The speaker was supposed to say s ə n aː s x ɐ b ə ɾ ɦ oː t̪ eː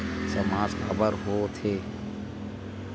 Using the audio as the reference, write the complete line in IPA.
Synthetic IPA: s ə m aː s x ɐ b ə ɾ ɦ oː t̪ʰ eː